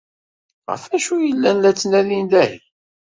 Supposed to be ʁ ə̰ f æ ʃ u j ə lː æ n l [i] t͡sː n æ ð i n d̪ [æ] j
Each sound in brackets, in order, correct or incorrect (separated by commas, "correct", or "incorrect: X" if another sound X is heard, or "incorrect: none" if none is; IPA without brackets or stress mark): incorrect: æ, correct